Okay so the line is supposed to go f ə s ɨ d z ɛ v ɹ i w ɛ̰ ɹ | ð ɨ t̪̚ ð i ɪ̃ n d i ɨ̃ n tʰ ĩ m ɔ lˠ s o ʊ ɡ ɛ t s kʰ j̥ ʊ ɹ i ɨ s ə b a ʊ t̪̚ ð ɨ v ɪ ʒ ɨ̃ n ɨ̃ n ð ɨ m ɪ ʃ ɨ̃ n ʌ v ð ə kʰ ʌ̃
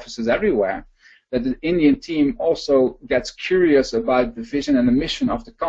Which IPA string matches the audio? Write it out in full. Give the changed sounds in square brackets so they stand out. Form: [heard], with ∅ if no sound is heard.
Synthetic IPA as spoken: f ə s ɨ [∅] z ɛ v ɹ i w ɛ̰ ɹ | ð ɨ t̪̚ ð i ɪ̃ n d i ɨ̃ n tʰ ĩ m ɔ lˠ s o ʊ ɡ ɛ t s kʰ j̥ ʊ ɹ i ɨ s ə b a ʊ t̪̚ ð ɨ v ɪ ʒ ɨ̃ n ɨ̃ n ð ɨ m ɪ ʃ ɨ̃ n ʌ v ð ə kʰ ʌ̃